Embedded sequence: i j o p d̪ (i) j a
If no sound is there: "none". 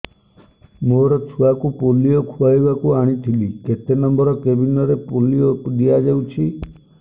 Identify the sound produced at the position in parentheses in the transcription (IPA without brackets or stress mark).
i